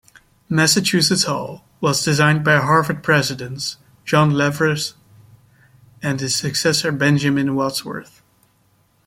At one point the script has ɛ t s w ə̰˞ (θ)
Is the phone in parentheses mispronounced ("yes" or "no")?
no